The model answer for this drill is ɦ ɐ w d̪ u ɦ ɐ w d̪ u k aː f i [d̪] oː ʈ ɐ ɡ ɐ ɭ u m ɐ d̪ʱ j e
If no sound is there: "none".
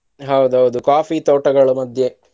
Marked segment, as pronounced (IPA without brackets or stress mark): t̪